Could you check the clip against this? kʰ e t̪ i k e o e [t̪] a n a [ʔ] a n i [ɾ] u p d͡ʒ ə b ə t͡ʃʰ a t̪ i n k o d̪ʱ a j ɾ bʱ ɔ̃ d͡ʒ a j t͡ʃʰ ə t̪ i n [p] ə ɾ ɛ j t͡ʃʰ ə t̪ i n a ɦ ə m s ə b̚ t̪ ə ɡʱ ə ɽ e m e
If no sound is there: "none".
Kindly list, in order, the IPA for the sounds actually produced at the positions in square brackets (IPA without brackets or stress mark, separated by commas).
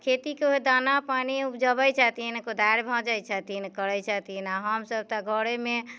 d̪, p, none, k